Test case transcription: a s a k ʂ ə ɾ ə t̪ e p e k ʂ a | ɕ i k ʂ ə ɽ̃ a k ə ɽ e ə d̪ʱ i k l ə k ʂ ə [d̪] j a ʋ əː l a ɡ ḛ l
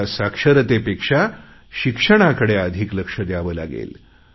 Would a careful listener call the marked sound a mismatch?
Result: no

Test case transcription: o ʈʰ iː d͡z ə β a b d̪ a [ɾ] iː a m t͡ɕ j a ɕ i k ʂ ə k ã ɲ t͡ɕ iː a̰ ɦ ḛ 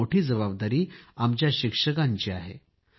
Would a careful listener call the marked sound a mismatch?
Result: no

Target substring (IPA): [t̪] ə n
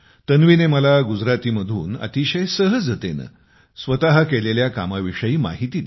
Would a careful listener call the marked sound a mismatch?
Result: no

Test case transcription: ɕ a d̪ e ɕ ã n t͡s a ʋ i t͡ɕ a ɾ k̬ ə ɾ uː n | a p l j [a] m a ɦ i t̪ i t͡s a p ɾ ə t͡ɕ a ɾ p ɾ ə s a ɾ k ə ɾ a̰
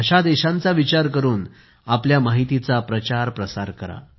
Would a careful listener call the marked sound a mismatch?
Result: no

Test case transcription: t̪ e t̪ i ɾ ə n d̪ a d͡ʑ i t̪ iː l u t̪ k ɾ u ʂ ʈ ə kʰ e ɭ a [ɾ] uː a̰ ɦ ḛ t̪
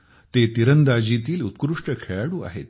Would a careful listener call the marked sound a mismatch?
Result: yes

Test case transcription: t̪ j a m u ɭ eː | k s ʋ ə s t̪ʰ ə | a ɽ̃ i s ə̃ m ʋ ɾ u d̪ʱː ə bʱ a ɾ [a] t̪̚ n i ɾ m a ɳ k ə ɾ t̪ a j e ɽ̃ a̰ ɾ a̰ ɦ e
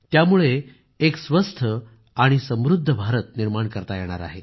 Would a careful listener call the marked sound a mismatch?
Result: yes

